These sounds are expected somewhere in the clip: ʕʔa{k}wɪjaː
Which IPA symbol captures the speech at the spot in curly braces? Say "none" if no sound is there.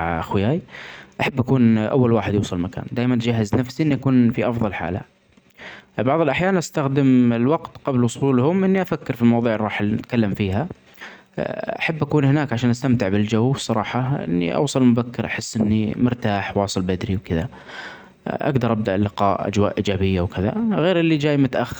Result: x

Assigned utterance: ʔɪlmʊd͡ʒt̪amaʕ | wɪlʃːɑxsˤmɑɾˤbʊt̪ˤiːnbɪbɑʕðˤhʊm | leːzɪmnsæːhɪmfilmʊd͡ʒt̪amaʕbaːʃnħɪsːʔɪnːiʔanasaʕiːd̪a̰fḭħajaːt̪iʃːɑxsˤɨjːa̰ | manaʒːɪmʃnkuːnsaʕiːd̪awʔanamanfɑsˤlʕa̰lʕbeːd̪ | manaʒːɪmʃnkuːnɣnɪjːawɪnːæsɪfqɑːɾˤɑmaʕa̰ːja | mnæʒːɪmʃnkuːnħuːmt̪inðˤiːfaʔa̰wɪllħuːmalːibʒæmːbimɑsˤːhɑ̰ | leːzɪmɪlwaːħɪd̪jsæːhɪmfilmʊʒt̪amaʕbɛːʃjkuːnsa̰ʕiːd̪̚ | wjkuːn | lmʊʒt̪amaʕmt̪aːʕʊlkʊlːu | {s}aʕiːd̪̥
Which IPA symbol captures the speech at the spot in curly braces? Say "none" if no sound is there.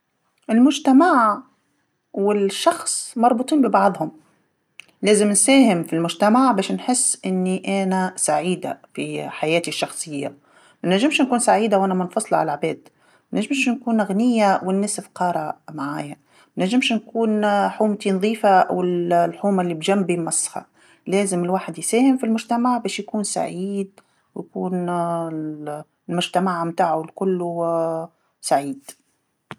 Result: s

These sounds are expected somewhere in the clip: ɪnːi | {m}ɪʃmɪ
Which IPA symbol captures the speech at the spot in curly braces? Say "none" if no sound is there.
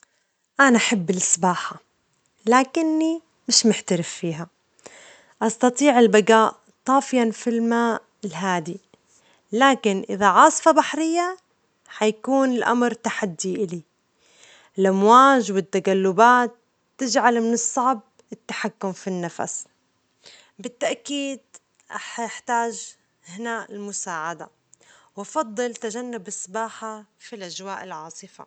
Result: m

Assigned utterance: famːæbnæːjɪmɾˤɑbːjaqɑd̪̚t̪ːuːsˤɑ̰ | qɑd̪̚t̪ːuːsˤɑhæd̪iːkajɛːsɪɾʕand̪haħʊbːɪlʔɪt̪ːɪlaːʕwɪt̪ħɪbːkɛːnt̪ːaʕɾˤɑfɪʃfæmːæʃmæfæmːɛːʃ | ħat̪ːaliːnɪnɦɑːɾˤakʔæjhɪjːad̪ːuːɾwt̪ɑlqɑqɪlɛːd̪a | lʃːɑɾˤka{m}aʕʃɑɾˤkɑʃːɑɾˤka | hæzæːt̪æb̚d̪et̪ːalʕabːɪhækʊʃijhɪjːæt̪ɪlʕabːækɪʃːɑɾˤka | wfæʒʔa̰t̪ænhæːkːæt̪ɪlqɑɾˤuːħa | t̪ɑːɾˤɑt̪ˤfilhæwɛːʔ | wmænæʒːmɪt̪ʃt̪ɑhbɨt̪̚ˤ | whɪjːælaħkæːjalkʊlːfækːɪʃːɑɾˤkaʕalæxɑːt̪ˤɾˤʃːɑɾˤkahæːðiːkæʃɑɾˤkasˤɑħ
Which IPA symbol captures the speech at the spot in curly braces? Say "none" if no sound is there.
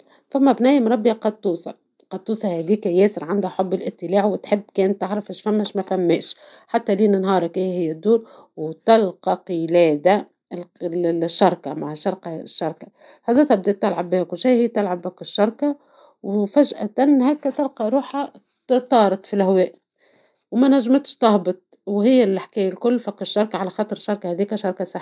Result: m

